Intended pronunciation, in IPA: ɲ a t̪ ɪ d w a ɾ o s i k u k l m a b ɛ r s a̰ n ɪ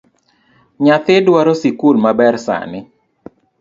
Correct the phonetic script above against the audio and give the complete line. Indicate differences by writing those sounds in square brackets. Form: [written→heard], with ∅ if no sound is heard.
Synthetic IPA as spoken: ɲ a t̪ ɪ d w a ɾ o s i k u [k→∅] l m a b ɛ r s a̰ n ɪ

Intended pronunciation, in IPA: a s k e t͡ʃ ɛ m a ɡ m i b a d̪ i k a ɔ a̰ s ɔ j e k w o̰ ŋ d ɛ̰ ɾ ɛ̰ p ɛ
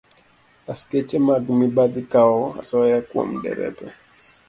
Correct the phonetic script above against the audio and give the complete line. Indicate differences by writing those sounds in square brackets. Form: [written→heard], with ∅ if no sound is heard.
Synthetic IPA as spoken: a s k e t͡ʃ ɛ m a ɡ m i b a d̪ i k a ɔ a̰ s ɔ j [e→a] k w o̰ [ŋ→m] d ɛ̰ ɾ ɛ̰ p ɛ

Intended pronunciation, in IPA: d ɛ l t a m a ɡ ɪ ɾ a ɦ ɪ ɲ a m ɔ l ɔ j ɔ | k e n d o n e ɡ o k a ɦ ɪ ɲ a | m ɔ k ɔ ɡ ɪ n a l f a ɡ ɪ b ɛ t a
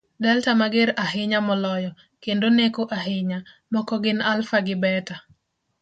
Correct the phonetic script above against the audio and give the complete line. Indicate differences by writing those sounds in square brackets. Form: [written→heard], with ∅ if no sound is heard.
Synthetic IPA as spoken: d ɛ l t a m a ɡ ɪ ɾ a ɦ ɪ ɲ a m ɔ l ɔ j ɔ | k e n d o n e [ɡ→k] o [k→ʔ] a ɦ ɪ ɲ a | m ɔ k ɔ ɡ ɪ n a l f a ɡ ɪ b ɛ t a

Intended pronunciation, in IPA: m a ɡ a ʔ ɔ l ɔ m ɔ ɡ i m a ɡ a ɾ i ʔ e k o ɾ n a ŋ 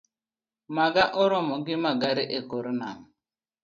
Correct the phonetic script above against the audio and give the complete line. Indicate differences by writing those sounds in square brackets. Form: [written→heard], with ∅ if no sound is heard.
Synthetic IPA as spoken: m a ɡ a ʔ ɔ [l→ɾ] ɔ m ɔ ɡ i m a ɡ a ɾ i ʔ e k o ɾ n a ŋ

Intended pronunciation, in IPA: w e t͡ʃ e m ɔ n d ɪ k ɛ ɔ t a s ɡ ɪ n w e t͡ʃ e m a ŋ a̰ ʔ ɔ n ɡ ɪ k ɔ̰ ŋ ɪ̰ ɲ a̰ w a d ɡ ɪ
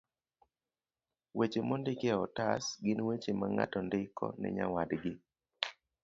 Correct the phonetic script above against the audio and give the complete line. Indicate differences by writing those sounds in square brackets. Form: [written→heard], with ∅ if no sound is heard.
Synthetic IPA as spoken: w e t͡ʃ e m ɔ n d ɪ k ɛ ɔ t a s ɡ ɪ n w e t͡ʃ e m a ŋ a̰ [ʔ→t] ɔ n [ɡ→d] ɪ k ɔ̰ [ŋ→n] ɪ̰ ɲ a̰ w a d ɡ ɪ

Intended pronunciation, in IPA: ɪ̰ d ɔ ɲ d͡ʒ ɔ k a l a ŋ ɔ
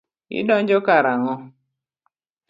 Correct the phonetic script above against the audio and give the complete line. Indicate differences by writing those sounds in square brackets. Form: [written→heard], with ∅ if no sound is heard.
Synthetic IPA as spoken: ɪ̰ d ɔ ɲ d͡ʒ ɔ k a [l→ɾ] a ŋ ɔ

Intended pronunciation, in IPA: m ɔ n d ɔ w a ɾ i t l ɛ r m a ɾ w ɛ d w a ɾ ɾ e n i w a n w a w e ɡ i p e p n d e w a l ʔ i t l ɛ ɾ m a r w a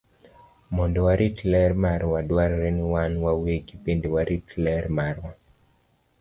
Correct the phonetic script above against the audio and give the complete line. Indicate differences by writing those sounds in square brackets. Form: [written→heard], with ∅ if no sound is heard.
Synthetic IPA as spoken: m ɔ n d ɔ w a ɾ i t l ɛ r m a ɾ w [ɛ→a] d w a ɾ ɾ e n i w a n w a w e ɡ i p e [p→∅] n d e w a [l→ɾ] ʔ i t l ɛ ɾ m a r w a

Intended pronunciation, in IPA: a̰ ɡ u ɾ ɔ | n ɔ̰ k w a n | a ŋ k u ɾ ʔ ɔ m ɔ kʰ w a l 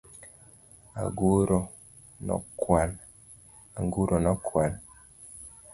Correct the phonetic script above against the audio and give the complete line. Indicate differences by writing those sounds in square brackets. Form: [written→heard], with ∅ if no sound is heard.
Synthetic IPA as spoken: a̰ ɡ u ɾ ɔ | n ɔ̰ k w a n | a ŋ [k→ɡ] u ɾ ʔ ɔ [m→n] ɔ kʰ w a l

